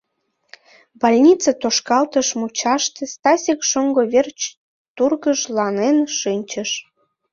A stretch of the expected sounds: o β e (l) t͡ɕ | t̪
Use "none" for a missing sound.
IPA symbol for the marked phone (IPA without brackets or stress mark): r